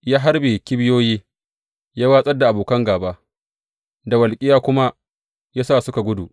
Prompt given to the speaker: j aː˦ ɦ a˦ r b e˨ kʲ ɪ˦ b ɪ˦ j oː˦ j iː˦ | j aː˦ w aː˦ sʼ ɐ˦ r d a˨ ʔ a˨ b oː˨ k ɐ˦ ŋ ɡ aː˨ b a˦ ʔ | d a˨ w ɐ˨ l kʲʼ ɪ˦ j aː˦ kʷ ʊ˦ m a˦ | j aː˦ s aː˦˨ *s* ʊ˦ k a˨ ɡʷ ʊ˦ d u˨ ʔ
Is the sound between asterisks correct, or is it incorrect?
correct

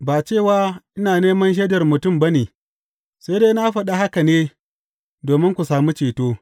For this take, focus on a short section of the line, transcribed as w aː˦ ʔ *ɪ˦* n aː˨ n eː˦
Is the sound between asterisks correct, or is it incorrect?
correct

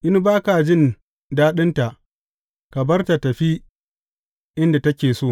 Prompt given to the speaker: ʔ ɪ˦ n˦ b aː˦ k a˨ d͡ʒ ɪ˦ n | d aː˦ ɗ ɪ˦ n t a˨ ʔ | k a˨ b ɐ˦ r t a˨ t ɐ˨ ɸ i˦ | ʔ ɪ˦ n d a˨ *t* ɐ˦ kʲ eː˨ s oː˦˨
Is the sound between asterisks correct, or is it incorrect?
correct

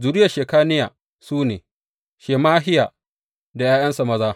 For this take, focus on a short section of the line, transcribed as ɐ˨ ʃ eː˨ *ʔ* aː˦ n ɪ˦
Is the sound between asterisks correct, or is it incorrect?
incorrect: k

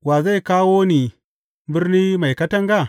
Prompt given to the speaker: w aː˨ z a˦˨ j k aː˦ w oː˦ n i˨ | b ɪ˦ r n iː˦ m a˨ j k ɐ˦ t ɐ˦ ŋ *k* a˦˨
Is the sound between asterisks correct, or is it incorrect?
incorrect: ɡ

